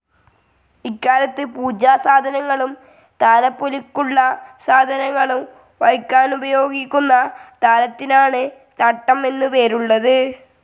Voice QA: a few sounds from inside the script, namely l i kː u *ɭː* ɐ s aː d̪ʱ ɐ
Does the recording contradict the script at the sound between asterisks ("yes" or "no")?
no